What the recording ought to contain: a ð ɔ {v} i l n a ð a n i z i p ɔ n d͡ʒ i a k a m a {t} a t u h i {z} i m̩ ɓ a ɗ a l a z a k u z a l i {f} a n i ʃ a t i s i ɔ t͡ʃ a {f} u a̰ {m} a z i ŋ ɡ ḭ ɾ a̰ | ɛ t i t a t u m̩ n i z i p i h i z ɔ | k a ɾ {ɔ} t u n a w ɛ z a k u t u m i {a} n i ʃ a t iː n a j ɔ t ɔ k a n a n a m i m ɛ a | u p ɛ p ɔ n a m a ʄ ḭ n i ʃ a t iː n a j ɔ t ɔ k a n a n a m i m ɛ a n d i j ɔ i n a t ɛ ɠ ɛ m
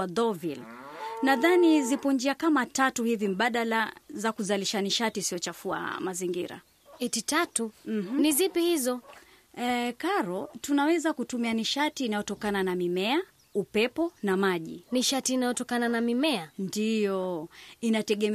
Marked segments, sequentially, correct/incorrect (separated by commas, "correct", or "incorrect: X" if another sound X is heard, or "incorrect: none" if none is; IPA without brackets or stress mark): correct, correct, incorrect: v, incorrect: ʃ, correct, correct, correct, correct